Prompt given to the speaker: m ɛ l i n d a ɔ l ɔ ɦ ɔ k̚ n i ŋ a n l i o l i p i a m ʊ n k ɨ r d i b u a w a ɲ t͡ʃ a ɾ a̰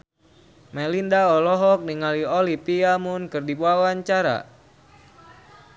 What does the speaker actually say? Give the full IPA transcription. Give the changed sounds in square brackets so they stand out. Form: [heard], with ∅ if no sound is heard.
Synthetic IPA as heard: m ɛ l i n d a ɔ l ɔ ɦ ɔ k̚ n i ŋ a [∅] l i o l i p i a m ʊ n k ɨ r d i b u a w a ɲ t͡ʃ a ɾ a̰